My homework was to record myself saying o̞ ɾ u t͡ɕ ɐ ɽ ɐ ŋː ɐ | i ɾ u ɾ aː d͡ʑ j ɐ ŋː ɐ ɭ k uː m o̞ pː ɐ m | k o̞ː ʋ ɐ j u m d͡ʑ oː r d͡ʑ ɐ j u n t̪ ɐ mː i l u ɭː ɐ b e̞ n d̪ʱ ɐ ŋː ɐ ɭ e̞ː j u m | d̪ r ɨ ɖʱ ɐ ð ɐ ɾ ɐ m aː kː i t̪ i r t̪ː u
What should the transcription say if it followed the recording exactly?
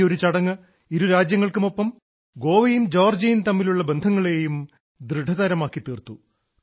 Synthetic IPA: o̞ ɾ u t͡ɕ ɐ ɽ ɐ ŋː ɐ | i ɾ u ɾ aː d͡ʑ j ɐ ŋː ɐ ɭ k u m o̞ pː ɐ m | ɡ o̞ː ʋ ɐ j u m d͡ʑ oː r d͡ʑ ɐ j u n t̪ ɐ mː i l u ɭː ɐ b e̞ n d̪ʱ ɐ ŋː ɐ ɭ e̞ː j u m | d̪ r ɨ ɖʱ ɐ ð ɐ ɾ ɐ m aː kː i t̪ iː r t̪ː u